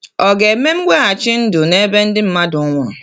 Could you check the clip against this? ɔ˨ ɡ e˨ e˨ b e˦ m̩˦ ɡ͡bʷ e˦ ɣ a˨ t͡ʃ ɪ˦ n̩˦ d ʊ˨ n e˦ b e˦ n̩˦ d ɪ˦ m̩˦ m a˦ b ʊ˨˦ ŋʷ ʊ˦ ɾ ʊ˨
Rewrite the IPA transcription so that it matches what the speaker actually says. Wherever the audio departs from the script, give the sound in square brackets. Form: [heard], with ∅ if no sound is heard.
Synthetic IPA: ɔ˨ ɡ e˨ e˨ [m] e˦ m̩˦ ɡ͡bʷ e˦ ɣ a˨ t͡ʃ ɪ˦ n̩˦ d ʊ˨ n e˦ b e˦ n̩˦ d ɪ˦ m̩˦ m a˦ [d] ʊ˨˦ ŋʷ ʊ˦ ɾ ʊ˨